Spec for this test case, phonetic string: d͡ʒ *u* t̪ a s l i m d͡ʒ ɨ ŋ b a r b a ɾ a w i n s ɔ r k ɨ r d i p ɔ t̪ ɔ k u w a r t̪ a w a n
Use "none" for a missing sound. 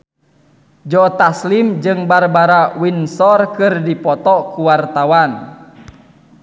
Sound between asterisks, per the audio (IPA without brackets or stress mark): ɔ